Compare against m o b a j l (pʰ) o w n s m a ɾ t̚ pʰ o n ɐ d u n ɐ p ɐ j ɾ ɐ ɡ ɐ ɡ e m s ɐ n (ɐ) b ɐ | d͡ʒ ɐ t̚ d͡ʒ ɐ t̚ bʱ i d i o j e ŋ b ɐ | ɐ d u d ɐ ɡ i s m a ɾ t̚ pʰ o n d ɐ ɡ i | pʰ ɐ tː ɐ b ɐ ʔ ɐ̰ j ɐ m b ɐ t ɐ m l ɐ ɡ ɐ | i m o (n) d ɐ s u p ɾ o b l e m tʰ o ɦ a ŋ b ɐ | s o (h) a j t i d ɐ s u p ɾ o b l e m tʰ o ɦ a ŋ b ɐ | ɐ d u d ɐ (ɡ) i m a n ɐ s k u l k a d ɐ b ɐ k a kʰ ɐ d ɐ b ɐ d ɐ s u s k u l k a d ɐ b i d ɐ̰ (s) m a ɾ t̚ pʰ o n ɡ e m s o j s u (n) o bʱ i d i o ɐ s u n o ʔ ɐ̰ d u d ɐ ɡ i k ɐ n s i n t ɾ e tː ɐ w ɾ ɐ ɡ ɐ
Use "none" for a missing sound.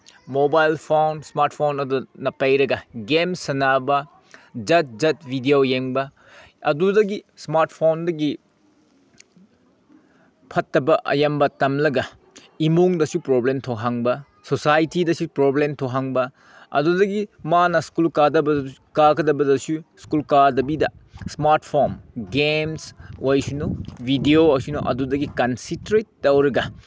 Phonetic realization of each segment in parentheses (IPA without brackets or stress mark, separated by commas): pʰ, a, ŋ, s, ɡ, s, n